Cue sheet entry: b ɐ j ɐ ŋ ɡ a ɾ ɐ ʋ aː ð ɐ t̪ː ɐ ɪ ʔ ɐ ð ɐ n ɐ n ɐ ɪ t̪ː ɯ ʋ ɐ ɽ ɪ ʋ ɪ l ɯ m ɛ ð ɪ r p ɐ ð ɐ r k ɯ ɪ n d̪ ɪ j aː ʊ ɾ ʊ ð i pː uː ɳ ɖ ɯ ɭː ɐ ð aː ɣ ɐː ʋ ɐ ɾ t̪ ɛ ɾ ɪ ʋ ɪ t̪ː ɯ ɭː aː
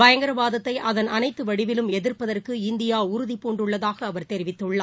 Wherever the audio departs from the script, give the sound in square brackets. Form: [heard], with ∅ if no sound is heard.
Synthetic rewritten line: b ɐ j ɐ ŋ ɡ [ɐ] ɾ ɐ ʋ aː ð ɐ t̪ː ɐ ɪ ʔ ɐ ð ɐ n ɐ n ɐ ɪ t̪ː ɯ ʋ ɐ ɽ ɪ ʋ ɪ l ɯ m ɛ ð ɪ r p ɐ ð ɐ r k ɯ ɪ n d̪ ɪ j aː ʊ ɾ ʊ ð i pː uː ɳ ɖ ɯ ɭː ɐ ð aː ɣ ɐː ʋ ɐ ɾ t̪ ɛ ɾ ɪ ʋ ɪ t̪ː ɯ ɭː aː

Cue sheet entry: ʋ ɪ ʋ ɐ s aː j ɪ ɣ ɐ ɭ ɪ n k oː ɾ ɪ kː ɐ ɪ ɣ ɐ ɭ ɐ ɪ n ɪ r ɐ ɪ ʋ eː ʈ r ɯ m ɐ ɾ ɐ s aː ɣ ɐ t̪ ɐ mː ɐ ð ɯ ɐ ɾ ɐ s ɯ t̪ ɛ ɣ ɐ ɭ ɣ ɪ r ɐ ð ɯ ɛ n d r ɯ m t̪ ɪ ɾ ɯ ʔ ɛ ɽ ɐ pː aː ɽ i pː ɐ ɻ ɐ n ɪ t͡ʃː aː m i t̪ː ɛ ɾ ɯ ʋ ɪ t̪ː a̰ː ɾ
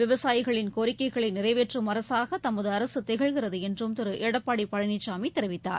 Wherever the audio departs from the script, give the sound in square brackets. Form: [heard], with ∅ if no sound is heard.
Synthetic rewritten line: ʋ ɪ ʋ ɐ s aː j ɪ ɣ ɐ ɭ ɪ n k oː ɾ ɪ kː ɐ ɪ ɣ ɐ ɭ ɐ ɪ n ɪ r ɐ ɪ ʋ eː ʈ r ɯ m ɐ ɾ ɐ s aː ɣ ɐ t̪ ɐ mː ɐ ð ɯ ɐ ɾ ɐ s ɯ t̪ ɛ ɣ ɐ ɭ ɣ ɪ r ɐ ð ɯ ɛ n d r ɯ m t̪ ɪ ɾ ɯ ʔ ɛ ɽ ɐ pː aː ɽ i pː ɐ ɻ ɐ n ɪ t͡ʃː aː m i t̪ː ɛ ɾ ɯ ʋ ɪ t̪ː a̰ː ɾ

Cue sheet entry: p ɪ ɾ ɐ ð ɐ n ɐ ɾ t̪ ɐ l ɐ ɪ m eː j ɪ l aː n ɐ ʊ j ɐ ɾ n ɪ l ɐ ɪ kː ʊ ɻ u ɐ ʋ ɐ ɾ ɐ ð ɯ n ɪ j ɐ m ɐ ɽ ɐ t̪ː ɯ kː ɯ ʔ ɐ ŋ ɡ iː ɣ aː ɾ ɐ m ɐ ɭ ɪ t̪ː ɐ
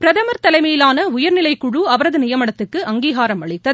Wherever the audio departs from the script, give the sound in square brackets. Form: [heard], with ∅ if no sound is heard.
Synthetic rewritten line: p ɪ ɾ ɐ ð ɐ [m] ɐ ɾ t̪ ɐ l ɐ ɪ m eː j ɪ l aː n ɐ ʊ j ɐ ɾ n ɪ l ɐ ɪ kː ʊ ɻ u ɐ ʋ ɐ ɾ ɐ ð ɯ n ɪ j ɐ m ɐ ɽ ɐ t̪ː ɯ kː ɯ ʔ ɐ ŋ ɡ iː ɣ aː ɾ ɐ m ɐ ɭ ɪ t̪ː ɐ

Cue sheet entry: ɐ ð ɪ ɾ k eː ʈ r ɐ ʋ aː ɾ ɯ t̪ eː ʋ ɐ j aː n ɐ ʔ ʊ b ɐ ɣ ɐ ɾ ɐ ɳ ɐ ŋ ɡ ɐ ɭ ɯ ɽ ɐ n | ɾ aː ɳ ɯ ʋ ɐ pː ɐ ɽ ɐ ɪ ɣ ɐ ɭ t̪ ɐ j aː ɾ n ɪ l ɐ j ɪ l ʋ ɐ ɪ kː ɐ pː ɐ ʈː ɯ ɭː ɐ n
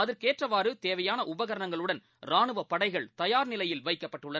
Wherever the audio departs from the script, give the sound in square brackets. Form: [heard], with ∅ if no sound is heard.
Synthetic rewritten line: ɐ ð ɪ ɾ k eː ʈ r ɐ ʋ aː ɾ ɯ t̪ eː ʋ ɐ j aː n ɐ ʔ ʊ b ɐ ɣ ɐ ɾ ɐ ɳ ɐ ŋ ɡ ɐ ɭ ɯ ɽ ɐ n | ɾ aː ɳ ɯ ʋ ɐ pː ɐ ɽ ɐ ɪ ɣ ɐ ɭ t̪ ɐ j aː ɾ n ɪ l ɐ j ɪ l ʋ ɐ ɪ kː ɐ pː ɐ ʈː ɯ ɭː ɐ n

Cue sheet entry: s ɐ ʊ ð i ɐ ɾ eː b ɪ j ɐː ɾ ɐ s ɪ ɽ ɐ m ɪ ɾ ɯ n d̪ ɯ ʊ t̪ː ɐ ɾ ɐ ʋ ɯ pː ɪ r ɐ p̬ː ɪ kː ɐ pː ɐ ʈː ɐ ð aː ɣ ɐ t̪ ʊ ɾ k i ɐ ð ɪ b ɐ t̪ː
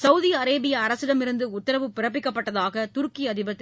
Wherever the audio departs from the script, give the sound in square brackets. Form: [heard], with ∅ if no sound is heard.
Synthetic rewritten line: s ɐ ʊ ð i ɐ ɾ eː b ɪ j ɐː ɾ ɐ s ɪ ɽ ɐ m ɪ ɾ ɯ n d̪ ɯ ʊ t̪ː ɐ ɾ ɐ ʋ ɯ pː ɪ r ɐ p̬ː ɪ kː ɐ pː ɐ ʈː ɐ ð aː ɣ ɐ t̪ ʊ ɾ k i ɐ ð ɪ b ɐ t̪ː

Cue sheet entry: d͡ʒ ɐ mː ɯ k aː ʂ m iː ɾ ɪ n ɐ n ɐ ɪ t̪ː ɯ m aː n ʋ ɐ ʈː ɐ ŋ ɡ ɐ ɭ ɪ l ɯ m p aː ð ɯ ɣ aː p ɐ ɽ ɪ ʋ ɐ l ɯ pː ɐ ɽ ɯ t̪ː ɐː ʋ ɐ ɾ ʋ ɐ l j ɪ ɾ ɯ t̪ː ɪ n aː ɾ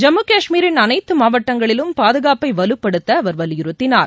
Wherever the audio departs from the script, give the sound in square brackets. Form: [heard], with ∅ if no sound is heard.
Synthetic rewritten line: d͡ʒ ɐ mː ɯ k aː ʂ m iː ɾ ɪ n ɐ n ɐ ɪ t̪ː ɯ m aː [∅] ʋ ɐ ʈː ɐ ŋ ɡ ɐ ɭ ɪ l ɯ m p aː ð ɯ ɣ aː p ɐ [∅] ɪ ʋ ɐ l ɯ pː ɐ ɽ ɯ t̪ː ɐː ʋ ɐ ɾ ʋ ɐ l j ɪ ɾ ɯ t̪ː ɪ n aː ɾ

